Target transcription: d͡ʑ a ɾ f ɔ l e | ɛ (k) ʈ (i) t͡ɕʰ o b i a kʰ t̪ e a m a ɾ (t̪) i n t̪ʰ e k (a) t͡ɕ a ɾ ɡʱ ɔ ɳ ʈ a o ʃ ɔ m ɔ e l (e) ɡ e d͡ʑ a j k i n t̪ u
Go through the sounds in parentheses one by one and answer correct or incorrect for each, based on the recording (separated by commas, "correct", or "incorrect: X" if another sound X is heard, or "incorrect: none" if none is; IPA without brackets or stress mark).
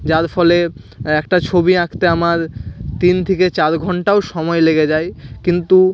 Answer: correct, incorrect: a, correct, incorrect: e, correct